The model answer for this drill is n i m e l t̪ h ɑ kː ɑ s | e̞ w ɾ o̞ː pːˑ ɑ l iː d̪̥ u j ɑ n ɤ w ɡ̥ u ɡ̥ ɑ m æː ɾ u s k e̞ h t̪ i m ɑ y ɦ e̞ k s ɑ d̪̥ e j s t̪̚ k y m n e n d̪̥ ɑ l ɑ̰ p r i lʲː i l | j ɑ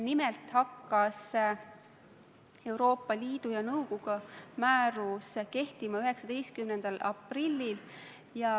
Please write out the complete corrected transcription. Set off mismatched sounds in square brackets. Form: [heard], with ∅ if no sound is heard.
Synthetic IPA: n i m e l t̪ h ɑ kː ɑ s | e̞ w ɾ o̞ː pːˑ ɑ l iː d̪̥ u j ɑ n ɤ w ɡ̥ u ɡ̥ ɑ m æː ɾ u s k e̞ h t̪ i m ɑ y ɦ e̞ k s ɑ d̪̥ e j s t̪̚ k y m n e n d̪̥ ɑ l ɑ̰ p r i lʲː i l | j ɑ

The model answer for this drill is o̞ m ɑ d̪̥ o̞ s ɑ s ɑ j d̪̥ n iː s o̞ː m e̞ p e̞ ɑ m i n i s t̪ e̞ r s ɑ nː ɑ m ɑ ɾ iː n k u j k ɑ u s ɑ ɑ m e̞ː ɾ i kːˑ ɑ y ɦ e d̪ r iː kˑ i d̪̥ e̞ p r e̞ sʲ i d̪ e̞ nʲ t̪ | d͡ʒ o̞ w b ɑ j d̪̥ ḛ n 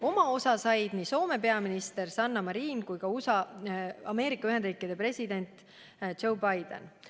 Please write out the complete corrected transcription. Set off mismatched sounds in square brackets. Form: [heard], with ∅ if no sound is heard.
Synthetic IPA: o̞ m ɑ [∅] o̞ s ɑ s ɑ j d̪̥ n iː s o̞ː m e̞ p e̞ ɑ m i n i s t̪ e̞ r s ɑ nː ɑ m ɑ ɾ iː n k u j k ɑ u s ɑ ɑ m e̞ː ɾ i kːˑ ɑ y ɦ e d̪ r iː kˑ i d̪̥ e̞ p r e̞ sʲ i d̪ e̞ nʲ t̪ | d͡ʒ o̞ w b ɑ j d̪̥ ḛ n

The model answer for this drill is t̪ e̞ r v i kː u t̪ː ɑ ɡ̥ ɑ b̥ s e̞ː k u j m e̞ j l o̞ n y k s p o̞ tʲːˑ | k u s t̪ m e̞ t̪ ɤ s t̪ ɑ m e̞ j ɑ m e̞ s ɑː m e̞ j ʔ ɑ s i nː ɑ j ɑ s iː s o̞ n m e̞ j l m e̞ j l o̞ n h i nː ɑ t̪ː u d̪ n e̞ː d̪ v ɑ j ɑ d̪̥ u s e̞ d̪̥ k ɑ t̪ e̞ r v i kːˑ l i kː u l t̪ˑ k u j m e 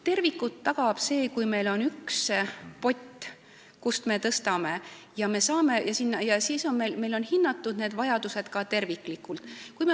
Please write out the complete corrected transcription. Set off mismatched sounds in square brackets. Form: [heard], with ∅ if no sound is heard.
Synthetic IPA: t̪ e̞ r v i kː u t̪ː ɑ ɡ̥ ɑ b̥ s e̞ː k u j m e̞ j l o̞ n y k s p o̞ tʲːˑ | k u s t̪ m e̞ t̪ ɤ s t̪ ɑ m e̞ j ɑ m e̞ s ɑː m e̞ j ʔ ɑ s i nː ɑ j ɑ s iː s o̞ n m e̞ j l m e̞ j l o̞ n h i nː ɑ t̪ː u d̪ n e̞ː d̪ v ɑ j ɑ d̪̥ u s e̞ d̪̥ k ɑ t̪ e̞ r v i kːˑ l i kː u l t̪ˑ k u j m e

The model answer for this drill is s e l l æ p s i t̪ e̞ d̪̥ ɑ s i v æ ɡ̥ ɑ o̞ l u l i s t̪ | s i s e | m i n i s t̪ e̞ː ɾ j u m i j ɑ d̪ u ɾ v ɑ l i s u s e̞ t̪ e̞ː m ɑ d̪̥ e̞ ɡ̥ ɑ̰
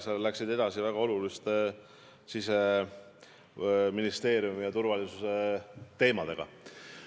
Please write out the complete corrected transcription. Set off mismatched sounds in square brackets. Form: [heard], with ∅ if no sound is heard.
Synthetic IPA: s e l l æ [k] s i [d̪] e̞ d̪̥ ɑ s i v æ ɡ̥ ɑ o̞ l u l i s t̪ | s i s e | m i n i s t̪ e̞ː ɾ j u m i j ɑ [t̪] u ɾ v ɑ l i s u s e̞ t̪ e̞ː m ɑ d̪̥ e̞ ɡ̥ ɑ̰

